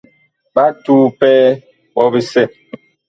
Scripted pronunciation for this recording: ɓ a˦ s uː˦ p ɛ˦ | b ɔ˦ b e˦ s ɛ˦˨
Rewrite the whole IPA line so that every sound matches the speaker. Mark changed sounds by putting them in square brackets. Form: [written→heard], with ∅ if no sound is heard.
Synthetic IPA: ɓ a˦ [s→t] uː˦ p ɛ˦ | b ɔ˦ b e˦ s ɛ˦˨

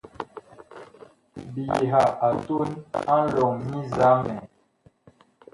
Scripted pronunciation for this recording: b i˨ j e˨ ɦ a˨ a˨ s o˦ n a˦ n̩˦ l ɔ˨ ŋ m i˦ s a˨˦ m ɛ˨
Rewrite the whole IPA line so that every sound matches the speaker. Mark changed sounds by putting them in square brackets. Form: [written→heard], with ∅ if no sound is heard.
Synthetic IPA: b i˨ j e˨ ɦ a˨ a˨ [s→t] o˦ n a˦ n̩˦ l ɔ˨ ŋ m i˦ [s→z] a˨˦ m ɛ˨

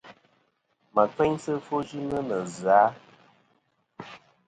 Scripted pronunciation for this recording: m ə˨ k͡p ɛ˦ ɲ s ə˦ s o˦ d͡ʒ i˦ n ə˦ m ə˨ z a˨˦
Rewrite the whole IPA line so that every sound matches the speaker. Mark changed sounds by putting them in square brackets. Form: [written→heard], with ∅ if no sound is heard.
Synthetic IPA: m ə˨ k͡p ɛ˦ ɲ s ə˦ [s→f] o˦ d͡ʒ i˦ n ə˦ [m→n] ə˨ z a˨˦

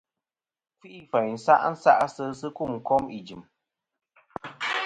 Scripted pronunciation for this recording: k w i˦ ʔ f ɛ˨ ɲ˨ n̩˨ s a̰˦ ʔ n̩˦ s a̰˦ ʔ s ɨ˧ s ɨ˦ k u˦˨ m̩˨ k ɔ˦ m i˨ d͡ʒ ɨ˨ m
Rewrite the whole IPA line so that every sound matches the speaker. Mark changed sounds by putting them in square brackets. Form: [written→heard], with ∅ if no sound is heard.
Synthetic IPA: k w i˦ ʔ f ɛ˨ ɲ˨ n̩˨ s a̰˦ ʔ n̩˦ s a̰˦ ʔ s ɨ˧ s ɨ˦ k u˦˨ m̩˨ k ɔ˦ m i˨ d͡ʒ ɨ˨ m

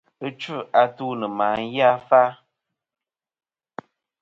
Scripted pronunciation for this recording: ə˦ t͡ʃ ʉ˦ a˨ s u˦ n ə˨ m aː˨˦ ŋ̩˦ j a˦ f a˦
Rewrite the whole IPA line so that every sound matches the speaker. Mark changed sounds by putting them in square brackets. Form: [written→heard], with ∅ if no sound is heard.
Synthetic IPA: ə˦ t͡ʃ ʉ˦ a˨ [s→t] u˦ n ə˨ m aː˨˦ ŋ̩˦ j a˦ f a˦

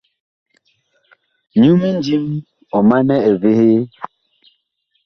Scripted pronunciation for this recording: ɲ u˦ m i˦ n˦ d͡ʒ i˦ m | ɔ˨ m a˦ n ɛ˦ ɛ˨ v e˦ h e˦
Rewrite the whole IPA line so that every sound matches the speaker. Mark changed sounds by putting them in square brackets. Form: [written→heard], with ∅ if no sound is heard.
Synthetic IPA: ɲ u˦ m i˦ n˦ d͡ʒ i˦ m | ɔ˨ m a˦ n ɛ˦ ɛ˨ v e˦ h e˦

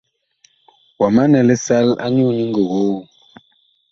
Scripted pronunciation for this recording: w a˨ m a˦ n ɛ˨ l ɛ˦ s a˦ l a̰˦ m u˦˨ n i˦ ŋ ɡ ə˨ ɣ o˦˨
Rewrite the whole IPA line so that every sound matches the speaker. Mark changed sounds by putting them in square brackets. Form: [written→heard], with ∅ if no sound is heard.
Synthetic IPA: w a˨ m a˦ n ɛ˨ l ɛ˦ s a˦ l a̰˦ [m→ɲ] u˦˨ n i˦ ŋ ɡ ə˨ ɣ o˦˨

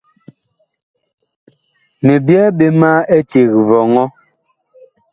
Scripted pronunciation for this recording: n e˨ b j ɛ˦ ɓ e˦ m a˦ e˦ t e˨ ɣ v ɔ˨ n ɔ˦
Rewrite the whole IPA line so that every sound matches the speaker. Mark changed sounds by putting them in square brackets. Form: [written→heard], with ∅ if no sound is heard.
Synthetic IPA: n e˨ b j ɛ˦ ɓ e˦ m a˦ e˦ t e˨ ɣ v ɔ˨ [n→ŋ] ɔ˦

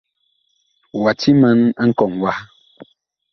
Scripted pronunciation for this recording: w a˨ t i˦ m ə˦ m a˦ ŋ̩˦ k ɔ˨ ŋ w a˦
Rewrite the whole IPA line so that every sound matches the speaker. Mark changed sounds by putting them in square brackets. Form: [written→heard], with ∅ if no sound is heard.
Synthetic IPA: w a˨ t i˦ m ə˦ [m→n] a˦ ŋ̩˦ k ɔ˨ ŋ w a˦

